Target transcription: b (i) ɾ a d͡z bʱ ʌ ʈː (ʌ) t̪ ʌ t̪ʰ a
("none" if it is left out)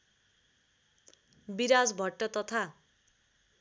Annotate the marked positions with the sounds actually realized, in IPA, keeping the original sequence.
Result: i, ʌ

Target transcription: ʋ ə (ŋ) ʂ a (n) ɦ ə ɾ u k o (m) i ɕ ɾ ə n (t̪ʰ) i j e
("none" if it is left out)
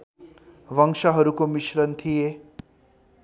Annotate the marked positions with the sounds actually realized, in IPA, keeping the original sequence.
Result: ŋ, none, m, t̪ʰ

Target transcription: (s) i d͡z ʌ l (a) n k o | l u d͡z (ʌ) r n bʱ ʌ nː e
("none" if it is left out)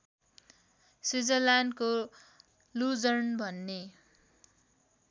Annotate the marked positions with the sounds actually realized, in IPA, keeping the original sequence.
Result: s, a, ʌ

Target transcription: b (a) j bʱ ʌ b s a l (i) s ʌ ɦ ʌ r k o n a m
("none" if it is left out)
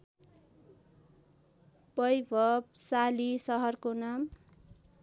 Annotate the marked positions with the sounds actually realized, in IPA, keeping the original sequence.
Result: ʌ, i

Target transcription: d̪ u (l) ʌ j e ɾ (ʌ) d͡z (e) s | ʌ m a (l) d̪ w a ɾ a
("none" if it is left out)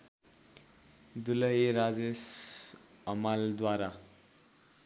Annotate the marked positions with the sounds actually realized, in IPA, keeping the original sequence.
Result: l, a, e, l

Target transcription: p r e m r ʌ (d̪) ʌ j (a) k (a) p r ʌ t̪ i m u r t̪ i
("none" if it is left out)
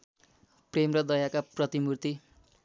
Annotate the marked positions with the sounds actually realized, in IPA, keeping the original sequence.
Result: d̪, a, a

